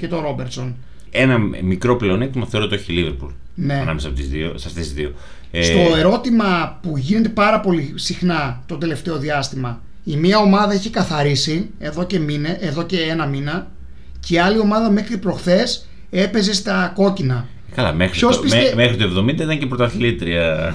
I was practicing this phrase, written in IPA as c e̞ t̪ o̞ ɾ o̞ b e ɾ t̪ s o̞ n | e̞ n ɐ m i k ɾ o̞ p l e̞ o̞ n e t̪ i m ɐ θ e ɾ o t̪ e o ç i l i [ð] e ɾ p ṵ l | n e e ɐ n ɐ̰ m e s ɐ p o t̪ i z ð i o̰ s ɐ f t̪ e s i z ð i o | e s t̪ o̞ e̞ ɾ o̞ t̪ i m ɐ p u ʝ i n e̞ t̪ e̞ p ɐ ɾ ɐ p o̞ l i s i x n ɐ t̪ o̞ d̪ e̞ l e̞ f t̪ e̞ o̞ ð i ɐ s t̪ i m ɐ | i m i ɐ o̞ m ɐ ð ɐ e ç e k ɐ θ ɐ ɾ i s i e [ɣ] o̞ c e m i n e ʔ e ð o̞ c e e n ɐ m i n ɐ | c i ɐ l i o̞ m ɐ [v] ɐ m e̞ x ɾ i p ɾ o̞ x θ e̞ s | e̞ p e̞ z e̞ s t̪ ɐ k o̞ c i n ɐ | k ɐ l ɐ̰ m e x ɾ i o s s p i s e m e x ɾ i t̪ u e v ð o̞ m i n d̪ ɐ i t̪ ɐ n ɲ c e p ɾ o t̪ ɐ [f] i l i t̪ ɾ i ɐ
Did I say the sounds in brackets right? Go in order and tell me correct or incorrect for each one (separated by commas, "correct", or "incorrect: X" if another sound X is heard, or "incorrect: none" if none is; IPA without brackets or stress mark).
incorrect: v, incorrect: ð, incorrect: ð, incorrect: θ